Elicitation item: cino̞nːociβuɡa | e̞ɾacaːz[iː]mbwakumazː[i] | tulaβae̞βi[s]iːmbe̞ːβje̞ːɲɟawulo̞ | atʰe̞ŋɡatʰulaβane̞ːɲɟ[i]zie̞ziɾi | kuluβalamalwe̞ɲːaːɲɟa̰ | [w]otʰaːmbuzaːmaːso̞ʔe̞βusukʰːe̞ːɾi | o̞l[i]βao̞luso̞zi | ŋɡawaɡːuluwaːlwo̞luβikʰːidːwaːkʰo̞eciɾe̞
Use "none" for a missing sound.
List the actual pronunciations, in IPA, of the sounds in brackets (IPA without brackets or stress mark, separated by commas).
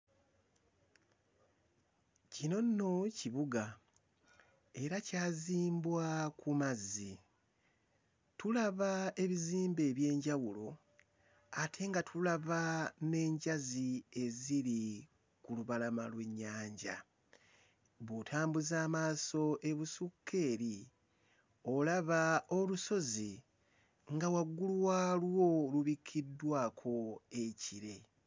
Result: iː, i, z, a, β, a